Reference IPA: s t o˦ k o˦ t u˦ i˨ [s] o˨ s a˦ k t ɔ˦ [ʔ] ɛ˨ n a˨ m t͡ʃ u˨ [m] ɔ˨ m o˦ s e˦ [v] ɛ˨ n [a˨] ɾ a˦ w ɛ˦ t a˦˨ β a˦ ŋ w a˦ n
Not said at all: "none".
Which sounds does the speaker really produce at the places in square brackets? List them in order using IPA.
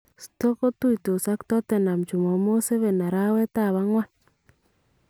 t, t, m, β, a˨

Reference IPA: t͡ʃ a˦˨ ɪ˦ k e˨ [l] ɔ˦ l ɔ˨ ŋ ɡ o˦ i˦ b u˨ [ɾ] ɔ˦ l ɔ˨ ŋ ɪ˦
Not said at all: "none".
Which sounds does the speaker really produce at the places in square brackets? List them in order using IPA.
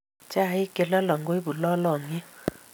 l, l

